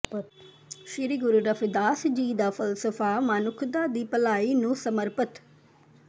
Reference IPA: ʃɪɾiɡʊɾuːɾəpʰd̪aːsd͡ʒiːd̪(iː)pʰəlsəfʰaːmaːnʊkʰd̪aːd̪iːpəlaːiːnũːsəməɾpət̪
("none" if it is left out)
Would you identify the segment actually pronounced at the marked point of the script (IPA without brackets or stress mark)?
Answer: aː